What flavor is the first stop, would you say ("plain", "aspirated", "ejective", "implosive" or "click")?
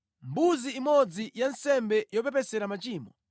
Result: plain